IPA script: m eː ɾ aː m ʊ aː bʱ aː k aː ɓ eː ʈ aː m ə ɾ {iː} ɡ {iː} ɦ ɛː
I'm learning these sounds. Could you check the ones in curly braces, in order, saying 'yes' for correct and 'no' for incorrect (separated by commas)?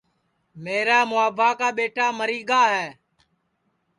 yes, no